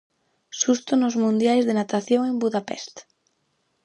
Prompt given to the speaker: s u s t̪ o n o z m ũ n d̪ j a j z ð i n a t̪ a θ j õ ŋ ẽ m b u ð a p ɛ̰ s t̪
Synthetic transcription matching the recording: s u s t̪ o n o z m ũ n d̪ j a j z ð e n a t̪ a θ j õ ŋ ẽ m b u ð a p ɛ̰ s t̪